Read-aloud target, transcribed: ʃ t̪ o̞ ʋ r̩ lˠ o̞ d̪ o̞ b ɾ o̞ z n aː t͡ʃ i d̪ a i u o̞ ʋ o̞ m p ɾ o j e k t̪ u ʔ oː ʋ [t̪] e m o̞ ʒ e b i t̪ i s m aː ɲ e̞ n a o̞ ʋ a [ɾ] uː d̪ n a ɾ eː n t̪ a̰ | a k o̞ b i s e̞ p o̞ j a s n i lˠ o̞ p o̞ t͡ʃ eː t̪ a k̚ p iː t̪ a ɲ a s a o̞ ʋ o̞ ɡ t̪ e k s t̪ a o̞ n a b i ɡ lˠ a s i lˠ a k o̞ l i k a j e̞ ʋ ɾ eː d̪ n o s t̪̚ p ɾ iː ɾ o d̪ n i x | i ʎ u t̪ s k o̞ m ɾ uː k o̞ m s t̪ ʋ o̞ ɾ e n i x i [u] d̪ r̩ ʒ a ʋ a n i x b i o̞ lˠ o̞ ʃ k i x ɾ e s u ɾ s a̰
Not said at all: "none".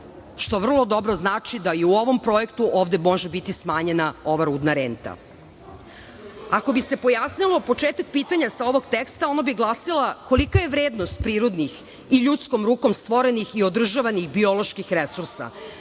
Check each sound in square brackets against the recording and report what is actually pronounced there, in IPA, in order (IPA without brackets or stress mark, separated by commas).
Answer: d̪, ɾ, o